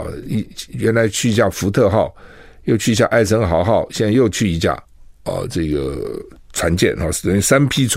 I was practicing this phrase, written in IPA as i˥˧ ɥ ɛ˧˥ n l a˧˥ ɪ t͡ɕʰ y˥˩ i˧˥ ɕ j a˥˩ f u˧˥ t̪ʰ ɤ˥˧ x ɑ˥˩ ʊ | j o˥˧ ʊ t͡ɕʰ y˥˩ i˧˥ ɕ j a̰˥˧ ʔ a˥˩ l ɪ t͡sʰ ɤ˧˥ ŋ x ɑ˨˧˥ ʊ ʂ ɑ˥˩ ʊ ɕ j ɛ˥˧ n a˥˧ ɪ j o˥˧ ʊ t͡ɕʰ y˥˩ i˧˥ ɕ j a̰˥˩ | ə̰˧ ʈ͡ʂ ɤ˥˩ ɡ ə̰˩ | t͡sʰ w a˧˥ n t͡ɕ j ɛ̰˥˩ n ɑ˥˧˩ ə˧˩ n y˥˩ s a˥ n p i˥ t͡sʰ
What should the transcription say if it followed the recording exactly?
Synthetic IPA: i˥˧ ɥ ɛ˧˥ n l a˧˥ ɪ t͡ɕʰ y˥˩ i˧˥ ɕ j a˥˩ f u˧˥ t̪ʰ ɤ˥˧ x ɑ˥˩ ʊ | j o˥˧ ʊ t͡ɕʰ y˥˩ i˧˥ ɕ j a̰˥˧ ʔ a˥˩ ɪ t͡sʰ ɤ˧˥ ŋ x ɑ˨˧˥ ʊ x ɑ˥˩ ʊ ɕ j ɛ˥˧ n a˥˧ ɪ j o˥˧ ʊ t͡ɕʰ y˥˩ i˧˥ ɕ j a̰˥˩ | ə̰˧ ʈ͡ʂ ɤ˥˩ ɡ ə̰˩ | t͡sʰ w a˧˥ n t͡ɕ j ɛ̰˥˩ n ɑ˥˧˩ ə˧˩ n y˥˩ s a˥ n pʰ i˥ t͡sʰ